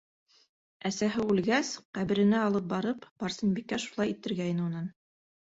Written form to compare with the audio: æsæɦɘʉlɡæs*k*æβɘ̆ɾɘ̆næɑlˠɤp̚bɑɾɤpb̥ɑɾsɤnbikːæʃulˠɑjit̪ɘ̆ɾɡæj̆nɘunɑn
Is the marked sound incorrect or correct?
incorrect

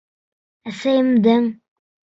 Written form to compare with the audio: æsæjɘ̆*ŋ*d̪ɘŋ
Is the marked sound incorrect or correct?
incorrect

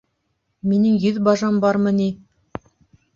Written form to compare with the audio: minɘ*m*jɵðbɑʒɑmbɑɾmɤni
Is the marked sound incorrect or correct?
incorrect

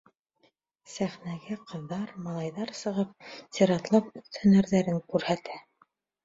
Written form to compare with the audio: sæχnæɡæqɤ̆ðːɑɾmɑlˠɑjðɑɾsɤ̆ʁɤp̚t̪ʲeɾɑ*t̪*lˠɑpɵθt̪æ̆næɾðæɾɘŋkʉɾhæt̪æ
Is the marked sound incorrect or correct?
correct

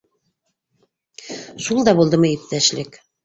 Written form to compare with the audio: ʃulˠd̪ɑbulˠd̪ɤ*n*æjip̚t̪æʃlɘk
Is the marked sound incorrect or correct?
incorrect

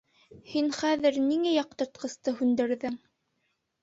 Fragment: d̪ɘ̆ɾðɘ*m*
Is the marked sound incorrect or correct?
incorrect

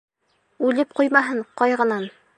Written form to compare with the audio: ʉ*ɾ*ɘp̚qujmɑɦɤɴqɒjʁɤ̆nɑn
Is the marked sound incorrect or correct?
incorrect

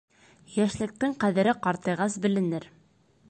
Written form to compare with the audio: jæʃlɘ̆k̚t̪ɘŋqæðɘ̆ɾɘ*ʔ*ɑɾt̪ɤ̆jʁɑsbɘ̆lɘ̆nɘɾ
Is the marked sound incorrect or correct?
incorrect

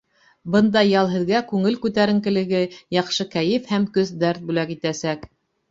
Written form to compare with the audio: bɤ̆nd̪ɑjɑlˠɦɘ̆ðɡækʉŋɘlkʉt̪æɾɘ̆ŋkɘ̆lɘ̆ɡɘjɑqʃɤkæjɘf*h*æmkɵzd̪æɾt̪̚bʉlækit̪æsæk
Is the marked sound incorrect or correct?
correct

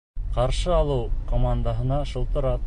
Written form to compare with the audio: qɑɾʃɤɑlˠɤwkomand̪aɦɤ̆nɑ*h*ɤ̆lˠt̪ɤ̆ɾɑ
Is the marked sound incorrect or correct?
incorrect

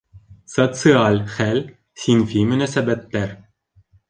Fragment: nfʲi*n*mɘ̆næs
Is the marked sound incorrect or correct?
incorrect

